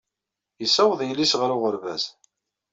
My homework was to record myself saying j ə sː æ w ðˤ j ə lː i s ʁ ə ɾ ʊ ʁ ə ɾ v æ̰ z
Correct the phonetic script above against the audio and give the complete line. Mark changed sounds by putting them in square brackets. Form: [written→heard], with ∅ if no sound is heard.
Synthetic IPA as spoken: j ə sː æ w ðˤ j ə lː i s ʁ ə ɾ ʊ ʁ ə ɾ v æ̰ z